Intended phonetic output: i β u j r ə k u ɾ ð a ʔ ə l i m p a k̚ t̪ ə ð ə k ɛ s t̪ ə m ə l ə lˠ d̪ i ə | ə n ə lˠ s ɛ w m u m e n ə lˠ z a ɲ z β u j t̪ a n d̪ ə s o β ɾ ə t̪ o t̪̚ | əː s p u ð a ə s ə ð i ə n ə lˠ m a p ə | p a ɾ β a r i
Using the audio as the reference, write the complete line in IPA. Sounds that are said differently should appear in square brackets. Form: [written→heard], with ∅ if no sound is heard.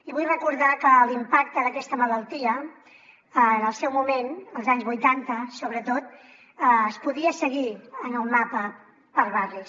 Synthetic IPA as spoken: i β u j r ə k u ɾ ð a [ʔ→k] ə l i m p a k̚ t̪ ə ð ə k ɛ s t̪ ə m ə l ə lˠ [d̪→t̪] i ə | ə n ə lˠ s ɛ w m u m e n ə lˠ z a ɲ z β u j t̪ a n [d̪→t̪] ə s o β ɾ ə t̪ o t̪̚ | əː s p u ð [a→i] ə s ə [ð→ɣ] i ə n ə lˠ m a p ə | p [a→ə] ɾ β a r i